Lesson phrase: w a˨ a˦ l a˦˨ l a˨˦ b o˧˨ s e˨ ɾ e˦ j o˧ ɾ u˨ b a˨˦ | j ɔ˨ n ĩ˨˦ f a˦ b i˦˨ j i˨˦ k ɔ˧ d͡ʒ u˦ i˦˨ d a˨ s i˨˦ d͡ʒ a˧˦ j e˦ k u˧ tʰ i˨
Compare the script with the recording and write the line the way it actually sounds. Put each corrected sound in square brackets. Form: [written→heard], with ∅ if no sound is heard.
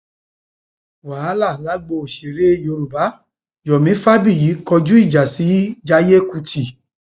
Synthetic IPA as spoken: w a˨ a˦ l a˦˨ l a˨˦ [b→ɡ͡b] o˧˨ [s→ʃ] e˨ ɾ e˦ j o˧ ɾ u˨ b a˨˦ | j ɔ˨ [n→m] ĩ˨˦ f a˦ b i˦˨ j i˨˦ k ɔ˧ d͡ʒ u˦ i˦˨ [d→d͡ʒ] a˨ s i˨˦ d͡ʒ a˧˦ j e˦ k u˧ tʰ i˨

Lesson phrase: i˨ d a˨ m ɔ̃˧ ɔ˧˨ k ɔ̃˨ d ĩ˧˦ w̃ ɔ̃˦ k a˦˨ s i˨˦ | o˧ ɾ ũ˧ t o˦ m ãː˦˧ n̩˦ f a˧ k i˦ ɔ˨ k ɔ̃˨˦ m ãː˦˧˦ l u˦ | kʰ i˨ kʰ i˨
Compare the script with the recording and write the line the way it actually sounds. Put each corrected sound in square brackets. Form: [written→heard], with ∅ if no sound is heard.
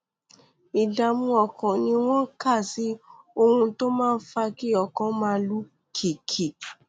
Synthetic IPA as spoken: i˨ d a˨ m [ɔ̃˧→ũ˧] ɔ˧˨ k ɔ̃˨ [d→n] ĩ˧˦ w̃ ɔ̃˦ k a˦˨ s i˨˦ | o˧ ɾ ũ˧ t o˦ m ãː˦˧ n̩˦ f a˧ k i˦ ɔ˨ k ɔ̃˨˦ m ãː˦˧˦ l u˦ | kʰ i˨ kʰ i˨

